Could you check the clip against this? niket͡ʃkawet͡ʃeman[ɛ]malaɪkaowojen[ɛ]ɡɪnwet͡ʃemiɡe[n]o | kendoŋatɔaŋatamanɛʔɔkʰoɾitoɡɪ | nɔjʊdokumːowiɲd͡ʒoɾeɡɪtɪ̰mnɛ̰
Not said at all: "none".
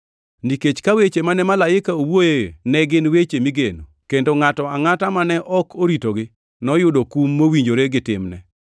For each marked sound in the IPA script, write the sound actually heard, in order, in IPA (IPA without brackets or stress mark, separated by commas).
ɛ, ɛ, n